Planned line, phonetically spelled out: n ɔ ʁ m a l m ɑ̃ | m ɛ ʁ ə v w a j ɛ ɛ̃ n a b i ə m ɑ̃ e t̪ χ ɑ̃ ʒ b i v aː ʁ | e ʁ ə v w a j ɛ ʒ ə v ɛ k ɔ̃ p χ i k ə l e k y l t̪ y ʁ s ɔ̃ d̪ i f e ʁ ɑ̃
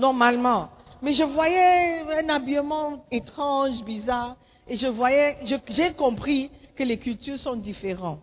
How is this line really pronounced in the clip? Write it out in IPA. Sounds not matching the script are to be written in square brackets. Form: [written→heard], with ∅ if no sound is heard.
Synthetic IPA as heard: n ɔ ʁ m a l m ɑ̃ | m ɛ [ʁ→ʒ] ə v w a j ɛ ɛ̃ n a b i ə m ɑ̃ e t̪ χ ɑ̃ ʒ b i [v→z] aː ʁ | e [ʁ→ʒ] ə v w a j ɛ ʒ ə [v→ʒ] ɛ k ɔ̃ p χ i k ə l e k y l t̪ y ʁ s ɔ̃ d̪ i f e ʁ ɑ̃